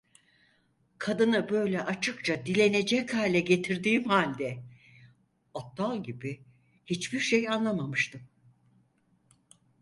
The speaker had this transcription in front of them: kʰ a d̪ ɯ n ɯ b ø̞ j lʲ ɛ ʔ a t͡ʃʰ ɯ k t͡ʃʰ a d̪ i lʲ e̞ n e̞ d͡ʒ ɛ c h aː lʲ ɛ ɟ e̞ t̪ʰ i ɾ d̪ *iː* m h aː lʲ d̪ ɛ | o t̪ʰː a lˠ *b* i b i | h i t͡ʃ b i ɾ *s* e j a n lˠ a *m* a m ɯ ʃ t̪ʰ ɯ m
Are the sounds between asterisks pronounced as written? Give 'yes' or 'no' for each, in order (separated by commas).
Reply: yes, no, no, yes